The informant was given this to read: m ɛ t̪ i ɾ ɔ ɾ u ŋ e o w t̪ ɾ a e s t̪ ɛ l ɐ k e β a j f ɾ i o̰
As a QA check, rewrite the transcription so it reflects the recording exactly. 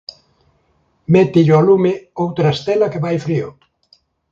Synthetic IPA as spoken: m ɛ t̪ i ʎ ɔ l u m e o w t̪ ɾ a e s t̪ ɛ l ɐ k e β a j f ɾ i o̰